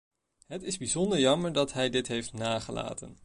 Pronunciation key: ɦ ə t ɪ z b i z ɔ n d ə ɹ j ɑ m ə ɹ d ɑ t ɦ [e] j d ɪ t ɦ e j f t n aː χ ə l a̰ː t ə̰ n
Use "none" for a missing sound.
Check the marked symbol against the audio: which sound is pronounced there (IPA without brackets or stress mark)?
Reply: ɛ